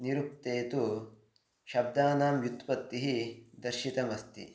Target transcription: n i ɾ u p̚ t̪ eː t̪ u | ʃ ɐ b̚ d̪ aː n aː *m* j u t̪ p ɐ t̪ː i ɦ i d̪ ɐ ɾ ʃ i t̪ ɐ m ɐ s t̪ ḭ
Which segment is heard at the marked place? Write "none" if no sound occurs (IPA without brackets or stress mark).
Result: m